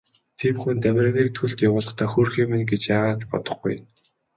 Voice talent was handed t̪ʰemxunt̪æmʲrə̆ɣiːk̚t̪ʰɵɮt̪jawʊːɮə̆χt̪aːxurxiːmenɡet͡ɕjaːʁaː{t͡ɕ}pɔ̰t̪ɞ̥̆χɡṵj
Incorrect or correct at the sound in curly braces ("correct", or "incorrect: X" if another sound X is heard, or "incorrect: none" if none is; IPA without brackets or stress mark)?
correct